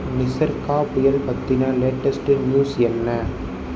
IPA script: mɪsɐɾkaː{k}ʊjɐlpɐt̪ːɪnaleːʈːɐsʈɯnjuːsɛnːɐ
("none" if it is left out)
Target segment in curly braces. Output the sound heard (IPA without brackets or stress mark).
p